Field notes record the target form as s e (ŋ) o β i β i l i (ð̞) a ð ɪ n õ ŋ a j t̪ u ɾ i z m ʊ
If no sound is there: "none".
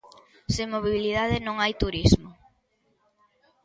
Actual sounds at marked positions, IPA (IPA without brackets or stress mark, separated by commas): m, ð̞